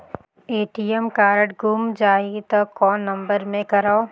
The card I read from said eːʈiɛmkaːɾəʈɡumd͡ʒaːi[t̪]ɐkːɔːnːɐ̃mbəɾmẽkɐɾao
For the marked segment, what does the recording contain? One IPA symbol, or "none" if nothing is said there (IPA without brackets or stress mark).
t̪